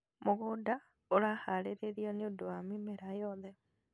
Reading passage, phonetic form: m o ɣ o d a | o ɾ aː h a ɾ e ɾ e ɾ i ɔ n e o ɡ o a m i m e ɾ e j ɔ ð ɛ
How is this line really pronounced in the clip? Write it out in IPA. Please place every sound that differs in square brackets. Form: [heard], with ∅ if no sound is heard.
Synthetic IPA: m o ɣ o d a | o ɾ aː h a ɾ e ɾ e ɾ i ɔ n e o [d] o a m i m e ɾ [a] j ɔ ð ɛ